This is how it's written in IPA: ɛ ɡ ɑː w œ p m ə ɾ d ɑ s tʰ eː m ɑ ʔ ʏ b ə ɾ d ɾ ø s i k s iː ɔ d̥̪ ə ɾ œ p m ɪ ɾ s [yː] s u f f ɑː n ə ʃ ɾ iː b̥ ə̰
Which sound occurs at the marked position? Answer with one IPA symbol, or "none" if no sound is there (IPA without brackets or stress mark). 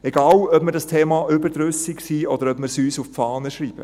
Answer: yː